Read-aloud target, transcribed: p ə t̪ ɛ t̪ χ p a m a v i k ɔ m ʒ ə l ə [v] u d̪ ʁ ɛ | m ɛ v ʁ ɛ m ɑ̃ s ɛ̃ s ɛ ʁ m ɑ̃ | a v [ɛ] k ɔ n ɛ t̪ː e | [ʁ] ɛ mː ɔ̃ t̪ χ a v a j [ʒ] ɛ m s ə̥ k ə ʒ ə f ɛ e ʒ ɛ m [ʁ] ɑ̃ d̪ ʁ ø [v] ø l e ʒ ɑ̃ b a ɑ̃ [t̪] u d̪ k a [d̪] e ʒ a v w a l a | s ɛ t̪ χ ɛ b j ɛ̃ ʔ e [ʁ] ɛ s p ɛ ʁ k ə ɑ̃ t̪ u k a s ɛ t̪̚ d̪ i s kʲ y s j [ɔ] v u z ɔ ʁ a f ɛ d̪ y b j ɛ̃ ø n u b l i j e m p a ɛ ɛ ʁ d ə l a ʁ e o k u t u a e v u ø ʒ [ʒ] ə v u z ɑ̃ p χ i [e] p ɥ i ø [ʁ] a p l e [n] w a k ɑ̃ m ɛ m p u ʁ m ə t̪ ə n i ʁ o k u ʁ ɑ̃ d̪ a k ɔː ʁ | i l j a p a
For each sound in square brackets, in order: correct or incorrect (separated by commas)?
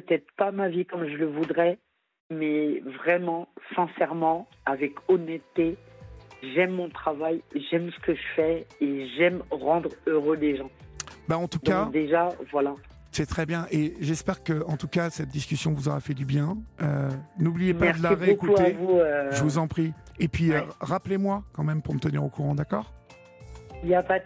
correct, correct, incorrect, correct, correct, incorrect, correct, correct, incorrect, incorrect, correct, correct, correct, incorrect